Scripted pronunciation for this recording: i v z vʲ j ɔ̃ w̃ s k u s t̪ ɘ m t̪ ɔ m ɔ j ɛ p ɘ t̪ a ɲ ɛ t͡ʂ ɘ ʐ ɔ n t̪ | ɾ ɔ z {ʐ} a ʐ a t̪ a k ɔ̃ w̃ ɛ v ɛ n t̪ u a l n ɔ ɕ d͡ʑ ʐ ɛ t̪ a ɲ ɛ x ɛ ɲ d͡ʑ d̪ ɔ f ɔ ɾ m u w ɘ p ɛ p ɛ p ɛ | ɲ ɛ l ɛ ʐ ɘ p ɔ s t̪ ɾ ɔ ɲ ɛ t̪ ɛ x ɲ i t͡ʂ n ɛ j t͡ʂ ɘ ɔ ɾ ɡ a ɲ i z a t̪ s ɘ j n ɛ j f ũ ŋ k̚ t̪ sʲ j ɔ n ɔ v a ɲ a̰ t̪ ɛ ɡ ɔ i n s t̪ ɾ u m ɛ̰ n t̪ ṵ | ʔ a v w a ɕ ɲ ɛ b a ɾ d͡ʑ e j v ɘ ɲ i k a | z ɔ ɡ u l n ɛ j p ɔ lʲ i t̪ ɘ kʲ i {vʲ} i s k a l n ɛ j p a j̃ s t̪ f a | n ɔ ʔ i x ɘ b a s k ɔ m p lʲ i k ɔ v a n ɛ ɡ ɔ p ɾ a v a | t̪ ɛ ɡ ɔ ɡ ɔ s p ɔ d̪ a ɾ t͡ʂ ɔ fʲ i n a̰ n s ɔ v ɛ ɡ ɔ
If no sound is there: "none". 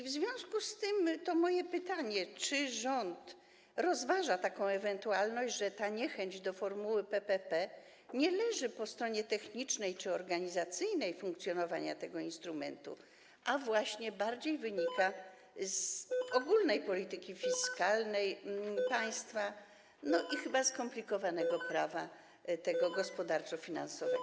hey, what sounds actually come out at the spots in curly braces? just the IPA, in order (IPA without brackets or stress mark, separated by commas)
v, fʲ